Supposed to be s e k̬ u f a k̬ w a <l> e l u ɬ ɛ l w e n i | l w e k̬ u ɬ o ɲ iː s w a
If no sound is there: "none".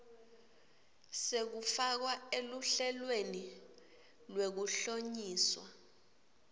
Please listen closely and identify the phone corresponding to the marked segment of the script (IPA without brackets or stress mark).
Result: none